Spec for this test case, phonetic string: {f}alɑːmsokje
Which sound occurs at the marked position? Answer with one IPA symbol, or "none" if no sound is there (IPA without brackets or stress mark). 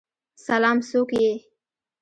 s